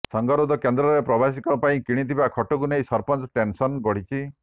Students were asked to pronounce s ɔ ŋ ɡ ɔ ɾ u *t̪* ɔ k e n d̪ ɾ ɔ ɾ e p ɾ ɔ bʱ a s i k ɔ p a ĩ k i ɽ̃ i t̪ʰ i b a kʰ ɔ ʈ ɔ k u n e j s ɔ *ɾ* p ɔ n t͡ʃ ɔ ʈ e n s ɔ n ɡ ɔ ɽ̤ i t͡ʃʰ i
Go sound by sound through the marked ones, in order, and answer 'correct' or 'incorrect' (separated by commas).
incorrect, correct